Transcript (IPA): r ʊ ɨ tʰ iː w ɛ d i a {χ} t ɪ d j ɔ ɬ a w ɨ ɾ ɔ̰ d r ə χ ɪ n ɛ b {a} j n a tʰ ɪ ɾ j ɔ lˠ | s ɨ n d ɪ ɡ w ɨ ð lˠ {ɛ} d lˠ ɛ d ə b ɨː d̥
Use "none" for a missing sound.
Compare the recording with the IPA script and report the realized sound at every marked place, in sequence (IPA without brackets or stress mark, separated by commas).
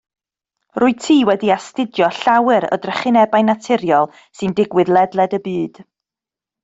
s, a, ɛ